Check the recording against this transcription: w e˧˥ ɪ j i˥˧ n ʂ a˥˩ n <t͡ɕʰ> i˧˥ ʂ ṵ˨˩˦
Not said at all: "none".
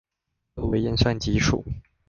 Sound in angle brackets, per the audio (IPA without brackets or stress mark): t͡ɕ